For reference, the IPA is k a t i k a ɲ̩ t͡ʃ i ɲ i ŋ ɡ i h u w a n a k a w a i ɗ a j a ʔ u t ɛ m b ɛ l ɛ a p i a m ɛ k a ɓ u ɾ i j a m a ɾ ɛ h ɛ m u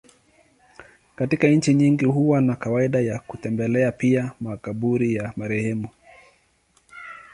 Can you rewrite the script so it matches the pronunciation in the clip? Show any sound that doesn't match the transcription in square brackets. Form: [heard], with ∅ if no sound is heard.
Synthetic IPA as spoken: k a t i k a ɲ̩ t͡ʃ i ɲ i ŋ ɡ i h u w a n a k a w a i ɗ a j a [k] u t ɛ m b ɛ l ɛ a p i a m [a] k a ɓ u ɾ i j a m a ɾ ɛ h ɛ m u